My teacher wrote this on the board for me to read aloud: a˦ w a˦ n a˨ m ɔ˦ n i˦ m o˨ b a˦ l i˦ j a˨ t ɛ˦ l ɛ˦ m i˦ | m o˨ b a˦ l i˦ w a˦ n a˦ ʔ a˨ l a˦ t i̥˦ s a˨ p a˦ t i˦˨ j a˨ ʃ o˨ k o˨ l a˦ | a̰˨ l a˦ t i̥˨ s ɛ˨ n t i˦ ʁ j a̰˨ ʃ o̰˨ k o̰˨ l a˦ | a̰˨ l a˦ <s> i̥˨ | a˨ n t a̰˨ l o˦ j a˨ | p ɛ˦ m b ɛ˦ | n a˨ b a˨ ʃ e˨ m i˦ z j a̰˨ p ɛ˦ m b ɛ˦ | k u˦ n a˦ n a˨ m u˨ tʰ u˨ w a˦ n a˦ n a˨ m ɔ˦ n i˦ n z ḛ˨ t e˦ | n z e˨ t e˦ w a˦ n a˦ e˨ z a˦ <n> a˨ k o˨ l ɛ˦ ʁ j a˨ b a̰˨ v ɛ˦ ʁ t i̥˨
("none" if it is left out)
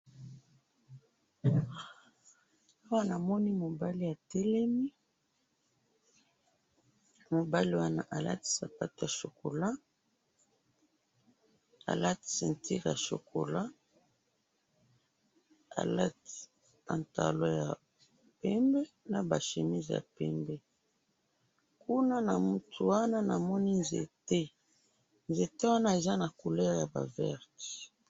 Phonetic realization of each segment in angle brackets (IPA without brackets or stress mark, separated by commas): t, n